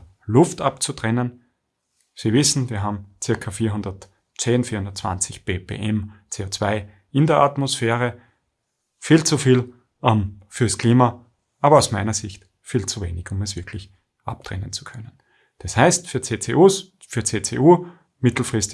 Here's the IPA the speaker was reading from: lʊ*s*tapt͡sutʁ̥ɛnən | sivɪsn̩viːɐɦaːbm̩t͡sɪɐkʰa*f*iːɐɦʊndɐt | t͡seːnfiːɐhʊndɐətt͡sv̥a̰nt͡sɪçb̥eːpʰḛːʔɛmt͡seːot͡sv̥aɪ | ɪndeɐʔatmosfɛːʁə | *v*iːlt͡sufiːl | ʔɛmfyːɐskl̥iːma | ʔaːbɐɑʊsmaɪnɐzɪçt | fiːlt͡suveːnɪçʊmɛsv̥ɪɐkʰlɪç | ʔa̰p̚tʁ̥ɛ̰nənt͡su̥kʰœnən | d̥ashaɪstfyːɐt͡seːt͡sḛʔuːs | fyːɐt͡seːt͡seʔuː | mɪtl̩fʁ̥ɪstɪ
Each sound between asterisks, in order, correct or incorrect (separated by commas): incorrect, correct, incorrect